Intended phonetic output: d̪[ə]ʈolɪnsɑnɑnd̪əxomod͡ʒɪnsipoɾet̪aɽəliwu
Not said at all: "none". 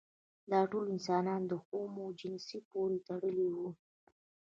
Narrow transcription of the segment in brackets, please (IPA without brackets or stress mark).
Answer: ɑ